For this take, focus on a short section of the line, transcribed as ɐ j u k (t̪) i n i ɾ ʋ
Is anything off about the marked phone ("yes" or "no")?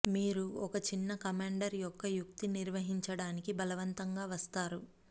no